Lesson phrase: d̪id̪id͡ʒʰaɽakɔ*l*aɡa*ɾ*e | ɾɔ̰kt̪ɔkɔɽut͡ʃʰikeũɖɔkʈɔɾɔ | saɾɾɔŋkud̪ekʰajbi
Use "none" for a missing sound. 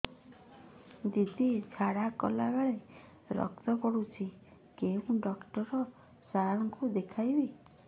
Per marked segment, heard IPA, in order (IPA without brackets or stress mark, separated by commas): l, ɭ